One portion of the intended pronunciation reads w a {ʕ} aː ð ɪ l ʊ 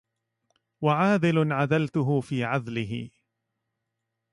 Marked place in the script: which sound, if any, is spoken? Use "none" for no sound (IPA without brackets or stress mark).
ʕ